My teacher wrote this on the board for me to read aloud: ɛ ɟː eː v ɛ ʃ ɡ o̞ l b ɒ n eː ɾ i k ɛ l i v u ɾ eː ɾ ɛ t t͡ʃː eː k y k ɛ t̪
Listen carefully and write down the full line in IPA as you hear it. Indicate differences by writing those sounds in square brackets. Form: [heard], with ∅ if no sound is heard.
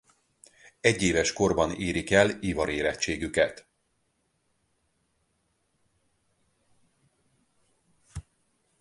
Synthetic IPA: ɛ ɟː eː v ɛ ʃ [k] o̞ [r] b ɒ n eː ɾ i k ɛ l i v [ɒ] ɾ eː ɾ ɛ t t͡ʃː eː [ɡ] y k ɛ t̪